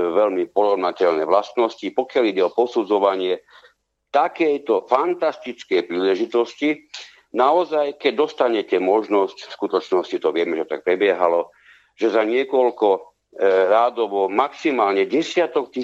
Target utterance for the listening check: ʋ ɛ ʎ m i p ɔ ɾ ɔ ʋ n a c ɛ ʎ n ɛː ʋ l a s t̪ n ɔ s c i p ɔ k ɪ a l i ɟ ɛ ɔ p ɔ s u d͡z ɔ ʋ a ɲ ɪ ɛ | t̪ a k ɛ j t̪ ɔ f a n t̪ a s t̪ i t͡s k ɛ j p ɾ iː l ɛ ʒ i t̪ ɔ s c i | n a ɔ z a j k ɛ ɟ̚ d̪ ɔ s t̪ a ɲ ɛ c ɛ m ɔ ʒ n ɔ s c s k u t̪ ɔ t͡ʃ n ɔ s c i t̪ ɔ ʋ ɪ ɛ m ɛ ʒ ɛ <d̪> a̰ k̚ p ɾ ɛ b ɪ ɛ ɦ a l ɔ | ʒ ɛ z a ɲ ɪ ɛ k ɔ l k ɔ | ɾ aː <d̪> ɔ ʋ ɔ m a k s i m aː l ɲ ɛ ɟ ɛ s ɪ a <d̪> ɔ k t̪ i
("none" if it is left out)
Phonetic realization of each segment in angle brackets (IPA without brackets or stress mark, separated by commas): t̪, d̪, t̪